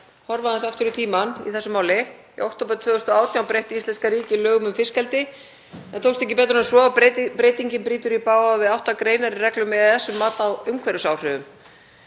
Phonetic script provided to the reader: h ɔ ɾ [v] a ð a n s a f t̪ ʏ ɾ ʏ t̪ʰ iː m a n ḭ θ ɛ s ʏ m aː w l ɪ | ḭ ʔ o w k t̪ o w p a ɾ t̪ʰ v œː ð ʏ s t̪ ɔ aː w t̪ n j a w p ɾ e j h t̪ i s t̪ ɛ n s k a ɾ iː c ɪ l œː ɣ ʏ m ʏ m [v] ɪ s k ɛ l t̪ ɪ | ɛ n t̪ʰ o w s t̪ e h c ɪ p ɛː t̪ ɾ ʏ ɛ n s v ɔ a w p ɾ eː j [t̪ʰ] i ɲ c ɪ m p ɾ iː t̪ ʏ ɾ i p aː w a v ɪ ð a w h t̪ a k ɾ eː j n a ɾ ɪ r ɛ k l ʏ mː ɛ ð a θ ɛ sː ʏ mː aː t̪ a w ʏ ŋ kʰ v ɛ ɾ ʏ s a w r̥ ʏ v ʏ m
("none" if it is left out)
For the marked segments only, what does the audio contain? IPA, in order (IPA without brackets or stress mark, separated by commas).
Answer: v, f, t̪